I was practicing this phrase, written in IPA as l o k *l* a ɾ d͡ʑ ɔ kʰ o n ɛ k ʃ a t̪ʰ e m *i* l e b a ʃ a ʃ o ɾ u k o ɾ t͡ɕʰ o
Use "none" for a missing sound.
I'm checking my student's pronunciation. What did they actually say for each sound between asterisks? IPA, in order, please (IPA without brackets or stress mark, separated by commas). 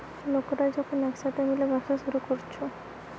ɾ, i